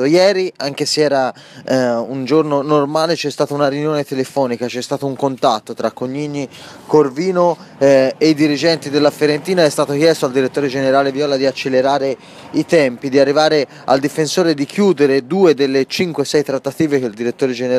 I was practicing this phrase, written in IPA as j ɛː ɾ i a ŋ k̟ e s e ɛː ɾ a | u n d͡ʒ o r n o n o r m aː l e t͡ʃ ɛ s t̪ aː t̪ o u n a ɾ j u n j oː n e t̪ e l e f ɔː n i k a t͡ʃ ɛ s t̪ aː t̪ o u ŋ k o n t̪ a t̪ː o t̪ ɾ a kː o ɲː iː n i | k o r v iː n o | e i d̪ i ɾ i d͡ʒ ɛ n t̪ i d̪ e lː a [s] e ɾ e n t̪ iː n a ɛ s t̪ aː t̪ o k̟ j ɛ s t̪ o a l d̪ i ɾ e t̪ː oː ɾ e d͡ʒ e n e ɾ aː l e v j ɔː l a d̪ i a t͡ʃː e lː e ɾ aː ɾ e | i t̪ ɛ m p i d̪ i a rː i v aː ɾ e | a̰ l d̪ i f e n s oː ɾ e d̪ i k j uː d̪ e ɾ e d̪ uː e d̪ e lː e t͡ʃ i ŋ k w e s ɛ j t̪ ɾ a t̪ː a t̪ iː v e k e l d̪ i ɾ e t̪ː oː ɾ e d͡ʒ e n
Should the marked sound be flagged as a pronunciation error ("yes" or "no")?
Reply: yes